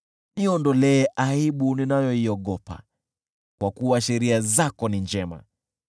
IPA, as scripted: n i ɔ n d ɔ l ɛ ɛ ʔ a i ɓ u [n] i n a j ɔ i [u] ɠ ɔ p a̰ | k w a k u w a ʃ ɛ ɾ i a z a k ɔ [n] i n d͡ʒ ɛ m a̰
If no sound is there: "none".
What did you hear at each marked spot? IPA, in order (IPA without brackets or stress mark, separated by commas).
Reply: n, ɔ, n